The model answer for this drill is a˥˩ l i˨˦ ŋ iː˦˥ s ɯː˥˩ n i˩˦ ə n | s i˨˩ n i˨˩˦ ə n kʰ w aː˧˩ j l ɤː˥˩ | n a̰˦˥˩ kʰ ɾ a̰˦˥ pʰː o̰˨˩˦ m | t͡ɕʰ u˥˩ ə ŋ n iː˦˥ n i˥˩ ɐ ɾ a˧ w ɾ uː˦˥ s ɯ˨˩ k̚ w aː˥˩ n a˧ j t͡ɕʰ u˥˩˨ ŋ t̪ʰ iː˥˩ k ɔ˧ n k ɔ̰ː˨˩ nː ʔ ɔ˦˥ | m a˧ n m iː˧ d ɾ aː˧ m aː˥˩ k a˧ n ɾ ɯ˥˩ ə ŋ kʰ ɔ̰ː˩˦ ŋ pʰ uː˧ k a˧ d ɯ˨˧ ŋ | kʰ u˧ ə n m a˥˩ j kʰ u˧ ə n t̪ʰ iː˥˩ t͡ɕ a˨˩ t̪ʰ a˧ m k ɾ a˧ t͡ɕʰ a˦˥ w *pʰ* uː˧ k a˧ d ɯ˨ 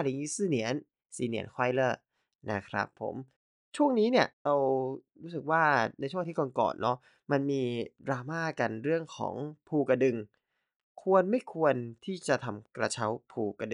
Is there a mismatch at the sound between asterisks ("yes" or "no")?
no